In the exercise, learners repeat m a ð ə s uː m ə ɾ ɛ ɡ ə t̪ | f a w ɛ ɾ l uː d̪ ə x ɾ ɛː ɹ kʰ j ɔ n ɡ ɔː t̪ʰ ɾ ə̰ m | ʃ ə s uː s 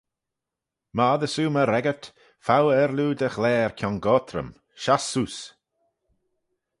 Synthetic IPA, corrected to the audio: m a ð ə s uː m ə ɾ ɛ ɡ ə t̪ | f a w ɛ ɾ l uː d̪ ə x l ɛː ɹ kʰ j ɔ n ɡ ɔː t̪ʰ ɾ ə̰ m | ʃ a s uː s